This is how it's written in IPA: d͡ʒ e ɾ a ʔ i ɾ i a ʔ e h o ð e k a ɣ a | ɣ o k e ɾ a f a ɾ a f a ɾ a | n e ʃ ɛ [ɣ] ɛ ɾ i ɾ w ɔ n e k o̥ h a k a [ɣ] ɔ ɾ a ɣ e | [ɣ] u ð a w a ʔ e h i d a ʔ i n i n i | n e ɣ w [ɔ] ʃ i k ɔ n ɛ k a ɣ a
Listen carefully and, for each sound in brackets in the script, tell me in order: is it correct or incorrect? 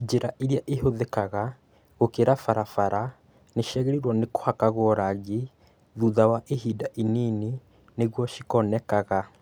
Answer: correct, correct, incorrect, correct

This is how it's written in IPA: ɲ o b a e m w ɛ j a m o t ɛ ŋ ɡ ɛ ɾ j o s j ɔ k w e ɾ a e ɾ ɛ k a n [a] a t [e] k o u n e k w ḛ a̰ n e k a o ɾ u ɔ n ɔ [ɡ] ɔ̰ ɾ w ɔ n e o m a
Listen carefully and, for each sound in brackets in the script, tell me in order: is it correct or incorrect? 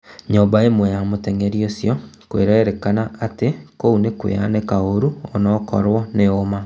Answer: correct, correct, incorrect

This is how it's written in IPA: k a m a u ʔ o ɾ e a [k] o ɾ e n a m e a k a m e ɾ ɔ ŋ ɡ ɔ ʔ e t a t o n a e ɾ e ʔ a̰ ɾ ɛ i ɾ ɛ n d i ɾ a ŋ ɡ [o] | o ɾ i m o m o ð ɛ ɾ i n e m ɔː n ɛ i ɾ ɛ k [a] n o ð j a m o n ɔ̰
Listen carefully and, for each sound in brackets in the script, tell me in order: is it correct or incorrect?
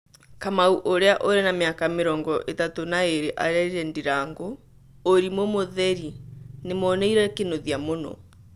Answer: incorrect, correct, incorrect

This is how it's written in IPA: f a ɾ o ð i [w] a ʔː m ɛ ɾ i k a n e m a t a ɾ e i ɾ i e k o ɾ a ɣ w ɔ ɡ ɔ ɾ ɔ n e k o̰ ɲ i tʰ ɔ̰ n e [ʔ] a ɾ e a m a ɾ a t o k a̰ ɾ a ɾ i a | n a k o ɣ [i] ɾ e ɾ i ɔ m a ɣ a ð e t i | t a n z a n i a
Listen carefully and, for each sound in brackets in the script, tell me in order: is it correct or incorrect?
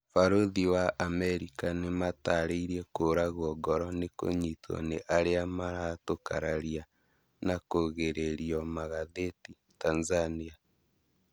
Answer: correct, correct, incorrect

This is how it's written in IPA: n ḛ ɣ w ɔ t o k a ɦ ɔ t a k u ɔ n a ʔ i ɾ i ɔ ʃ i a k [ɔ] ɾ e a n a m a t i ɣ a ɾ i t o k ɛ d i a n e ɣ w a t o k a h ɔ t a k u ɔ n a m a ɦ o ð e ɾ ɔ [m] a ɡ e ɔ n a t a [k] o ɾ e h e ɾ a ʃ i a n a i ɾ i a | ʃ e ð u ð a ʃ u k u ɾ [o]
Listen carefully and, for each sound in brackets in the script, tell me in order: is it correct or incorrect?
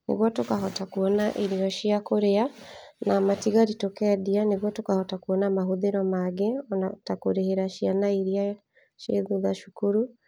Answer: incorrect, correct, correct, incorrect

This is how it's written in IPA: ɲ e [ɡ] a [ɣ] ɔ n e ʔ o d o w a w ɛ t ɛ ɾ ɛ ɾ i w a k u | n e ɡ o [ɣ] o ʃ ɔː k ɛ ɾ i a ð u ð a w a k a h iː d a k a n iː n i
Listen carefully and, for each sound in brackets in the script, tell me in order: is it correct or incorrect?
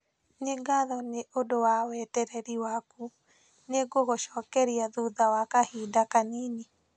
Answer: correct, incorrect, correct

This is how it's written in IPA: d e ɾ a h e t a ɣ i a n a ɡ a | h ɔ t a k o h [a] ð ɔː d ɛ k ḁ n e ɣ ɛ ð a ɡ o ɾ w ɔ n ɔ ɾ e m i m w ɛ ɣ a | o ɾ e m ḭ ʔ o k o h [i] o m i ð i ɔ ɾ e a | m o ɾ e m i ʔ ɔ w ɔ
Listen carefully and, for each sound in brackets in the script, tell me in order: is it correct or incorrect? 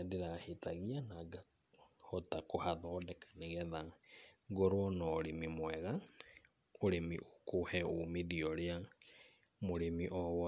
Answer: correct, incorrect

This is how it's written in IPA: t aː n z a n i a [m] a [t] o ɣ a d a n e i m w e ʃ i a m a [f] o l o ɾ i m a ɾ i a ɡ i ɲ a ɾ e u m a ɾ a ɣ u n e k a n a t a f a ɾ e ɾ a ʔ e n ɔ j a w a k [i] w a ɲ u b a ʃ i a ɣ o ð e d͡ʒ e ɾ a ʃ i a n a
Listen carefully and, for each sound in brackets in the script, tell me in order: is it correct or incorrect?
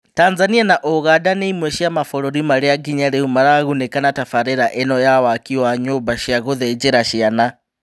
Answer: incorrect, incorrect, correct, correct

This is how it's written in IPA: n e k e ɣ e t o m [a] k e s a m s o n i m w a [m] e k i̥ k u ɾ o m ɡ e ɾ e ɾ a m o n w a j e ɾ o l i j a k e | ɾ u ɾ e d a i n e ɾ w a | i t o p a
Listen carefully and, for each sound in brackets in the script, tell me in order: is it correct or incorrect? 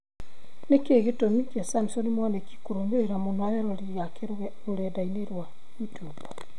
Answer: incorrect, incorrect

